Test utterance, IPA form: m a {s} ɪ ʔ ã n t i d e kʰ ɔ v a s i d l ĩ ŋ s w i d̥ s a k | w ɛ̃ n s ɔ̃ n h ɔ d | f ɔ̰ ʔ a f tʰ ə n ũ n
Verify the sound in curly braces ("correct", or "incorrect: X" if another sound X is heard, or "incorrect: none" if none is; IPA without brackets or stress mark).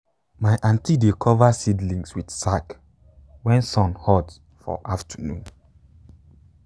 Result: incorrect: none